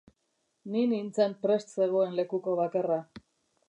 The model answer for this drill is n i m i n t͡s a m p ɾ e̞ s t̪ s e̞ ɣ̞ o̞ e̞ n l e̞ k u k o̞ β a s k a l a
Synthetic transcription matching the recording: n i n i n t͡s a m p ɾ e̞ s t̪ s e̞ ɣ̞ o̞ e̞ n l e̞ k u k o̞ β a k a r a